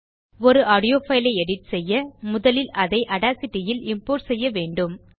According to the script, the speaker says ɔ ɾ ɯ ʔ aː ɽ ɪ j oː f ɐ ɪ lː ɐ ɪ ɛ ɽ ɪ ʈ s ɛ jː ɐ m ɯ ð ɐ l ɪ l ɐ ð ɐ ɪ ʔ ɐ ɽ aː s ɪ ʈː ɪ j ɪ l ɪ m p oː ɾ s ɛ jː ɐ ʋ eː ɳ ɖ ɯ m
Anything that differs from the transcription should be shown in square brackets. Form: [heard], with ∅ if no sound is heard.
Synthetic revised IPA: ɔ ɾ ɯ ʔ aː ɽ ɪ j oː f ɐ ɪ [l] ɐ ɪ ɛ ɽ ɪ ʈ s ɛ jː ɐ m [ʊ] ð ɐ l ɪ l ɐ ð ɐ ɪ ʔ ɐ ɽ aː s ɪ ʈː ɪ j ɪ l ɪ m p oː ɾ s ɛ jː ɐ ʋ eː ɳ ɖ ɯ m